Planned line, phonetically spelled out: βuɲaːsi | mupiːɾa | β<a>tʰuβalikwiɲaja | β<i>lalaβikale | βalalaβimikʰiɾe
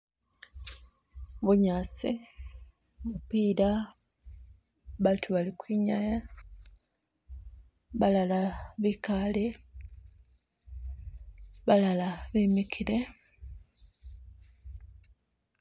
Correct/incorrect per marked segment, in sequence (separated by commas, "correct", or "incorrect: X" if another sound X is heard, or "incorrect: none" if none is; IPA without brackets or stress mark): correct, incorrect: a